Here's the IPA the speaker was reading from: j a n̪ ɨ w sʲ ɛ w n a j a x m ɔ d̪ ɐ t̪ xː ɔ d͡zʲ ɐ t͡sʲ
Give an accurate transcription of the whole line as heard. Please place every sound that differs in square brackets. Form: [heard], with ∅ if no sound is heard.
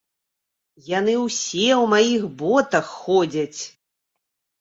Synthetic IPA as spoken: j a n̪ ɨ w sʲ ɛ w [m] a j [i] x [b] ɔ [t̪] ɐ [∅] xː ɔ d͡zʲ ɐ t͡sʲ